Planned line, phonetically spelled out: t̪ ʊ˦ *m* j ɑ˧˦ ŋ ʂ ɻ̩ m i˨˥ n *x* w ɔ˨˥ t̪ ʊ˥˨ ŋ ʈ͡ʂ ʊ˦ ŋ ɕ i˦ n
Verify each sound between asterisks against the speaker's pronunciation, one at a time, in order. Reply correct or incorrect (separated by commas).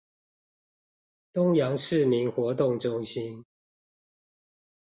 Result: incorrect, correct